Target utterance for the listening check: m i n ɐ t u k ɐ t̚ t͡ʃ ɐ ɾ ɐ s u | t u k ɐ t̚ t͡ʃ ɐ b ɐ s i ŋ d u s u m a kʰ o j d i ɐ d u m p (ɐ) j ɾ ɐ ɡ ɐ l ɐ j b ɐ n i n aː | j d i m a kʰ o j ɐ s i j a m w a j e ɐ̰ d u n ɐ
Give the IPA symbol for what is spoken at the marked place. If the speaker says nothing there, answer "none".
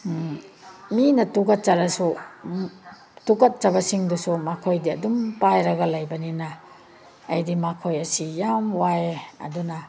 a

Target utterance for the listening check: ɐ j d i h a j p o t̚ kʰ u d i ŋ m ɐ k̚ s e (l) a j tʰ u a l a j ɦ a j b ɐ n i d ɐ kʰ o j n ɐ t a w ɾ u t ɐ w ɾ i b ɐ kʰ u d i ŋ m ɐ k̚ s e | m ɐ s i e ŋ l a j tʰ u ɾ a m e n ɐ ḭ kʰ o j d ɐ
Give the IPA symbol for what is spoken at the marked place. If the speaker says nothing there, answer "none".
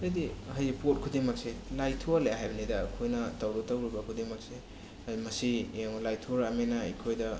l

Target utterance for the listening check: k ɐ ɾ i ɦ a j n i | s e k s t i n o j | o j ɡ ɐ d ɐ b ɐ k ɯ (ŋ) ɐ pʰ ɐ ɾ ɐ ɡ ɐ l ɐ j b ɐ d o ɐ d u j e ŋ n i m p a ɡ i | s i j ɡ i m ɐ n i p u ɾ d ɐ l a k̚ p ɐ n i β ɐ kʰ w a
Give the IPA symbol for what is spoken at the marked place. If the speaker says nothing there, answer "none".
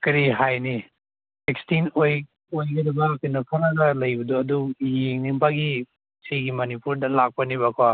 n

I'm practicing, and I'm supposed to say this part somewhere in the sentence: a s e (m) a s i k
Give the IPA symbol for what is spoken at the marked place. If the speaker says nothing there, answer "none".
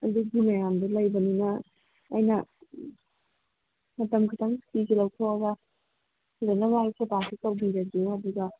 b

